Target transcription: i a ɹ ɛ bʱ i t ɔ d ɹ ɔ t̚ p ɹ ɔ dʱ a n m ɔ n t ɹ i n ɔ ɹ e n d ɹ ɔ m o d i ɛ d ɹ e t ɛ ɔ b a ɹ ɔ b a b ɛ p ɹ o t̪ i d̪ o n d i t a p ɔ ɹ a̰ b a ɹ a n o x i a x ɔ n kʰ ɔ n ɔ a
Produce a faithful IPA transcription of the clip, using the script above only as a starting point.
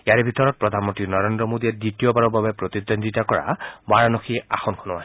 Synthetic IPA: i a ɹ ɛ bʱ i t ɔ ɹ ɔ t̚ p ɹ ɔ dʱ a n m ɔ n t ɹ i n ɔ ɹ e n d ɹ ɔ m o d i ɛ d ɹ i t i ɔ b a ɹ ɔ b a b ɛ p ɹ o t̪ i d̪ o n d i t a k ɔ ɹ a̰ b a ɹ a n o x i a x ɔ n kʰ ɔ n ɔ a